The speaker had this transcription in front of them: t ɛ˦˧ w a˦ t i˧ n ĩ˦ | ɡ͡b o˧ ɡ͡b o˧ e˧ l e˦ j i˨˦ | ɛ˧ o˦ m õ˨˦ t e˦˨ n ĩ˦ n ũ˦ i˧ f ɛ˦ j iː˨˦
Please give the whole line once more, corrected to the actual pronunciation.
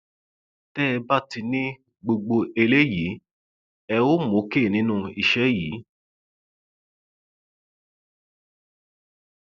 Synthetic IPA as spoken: t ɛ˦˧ b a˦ t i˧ n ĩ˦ | ɡ͡b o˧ ɡ͡b o˧ e˧ l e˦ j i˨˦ | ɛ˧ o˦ m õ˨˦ k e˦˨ n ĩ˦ n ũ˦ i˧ ʃ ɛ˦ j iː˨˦